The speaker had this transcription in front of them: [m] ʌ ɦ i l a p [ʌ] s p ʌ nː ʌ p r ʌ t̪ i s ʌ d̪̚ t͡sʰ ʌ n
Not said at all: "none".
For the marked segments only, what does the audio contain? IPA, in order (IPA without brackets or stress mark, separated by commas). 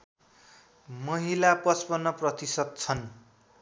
m, ʌ